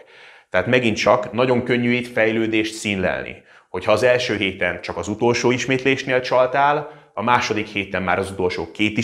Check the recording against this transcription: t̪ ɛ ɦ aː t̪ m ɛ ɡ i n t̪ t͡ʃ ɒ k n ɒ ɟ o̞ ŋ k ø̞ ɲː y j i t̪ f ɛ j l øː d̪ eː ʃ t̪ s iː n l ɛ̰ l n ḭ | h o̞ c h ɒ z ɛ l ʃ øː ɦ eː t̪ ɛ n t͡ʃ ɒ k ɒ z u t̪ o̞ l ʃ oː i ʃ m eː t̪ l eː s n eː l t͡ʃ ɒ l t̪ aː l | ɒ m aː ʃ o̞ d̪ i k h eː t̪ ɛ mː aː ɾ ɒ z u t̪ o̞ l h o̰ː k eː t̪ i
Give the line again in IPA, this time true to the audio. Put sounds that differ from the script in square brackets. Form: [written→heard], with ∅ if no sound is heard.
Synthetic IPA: t̪ ɛ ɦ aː t̪ m ɛ ɡ i n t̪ t͡ʃ ɒ k n ɒ ɟ o̞ ŋ k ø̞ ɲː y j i t̪ f ɛ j l øː d̪ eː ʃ t̪ s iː n l ɛ̰ l n ḭ | h o̞ c h [ɒ→ɒː] z ɛ l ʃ øː ɦ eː t̪ ɛ n t͡ʃ ɒ k ɒ z u t̪ o̞ l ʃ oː i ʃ m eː t̪ l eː [s→ʃ] n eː l t͡ʃ ɒ l t̪ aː l | ɒ m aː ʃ o̞ d̪ i k h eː t̪ ɛ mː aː ɾ ɒ z u t̪ o̞ l [h→ʃ] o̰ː k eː t̪ i